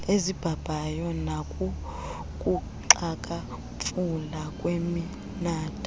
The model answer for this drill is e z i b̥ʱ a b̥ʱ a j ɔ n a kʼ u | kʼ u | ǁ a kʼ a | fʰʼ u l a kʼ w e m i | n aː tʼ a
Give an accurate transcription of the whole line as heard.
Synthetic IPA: e z i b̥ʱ a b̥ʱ a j ɔ n a kʼ u | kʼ u | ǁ a kʼ a | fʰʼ u l a kʼ w e m i | n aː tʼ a